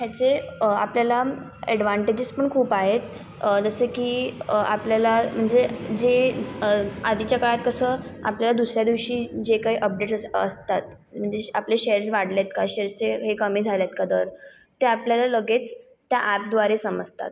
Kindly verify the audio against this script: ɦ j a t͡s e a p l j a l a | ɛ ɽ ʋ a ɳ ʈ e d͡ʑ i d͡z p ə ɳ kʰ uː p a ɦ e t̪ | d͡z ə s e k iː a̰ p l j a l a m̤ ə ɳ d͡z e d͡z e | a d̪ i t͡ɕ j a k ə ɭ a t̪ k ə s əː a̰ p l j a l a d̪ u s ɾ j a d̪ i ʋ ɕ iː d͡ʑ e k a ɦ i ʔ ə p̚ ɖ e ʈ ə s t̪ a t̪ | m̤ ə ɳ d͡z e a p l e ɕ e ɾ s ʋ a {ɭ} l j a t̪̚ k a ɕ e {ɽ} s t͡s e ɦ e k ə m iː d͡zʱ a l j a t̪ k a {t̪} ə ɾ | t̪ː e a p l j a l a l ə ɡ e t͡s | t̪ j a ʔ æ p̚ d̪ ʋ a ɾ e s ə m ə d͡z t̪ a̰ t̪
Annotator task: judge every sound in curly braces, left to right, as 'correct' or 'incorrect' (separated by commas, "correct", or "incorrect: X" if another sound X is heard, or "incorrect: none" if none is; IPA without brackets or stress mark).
incorrect: ɽ, incorrect: ɾ, incorrect: d̪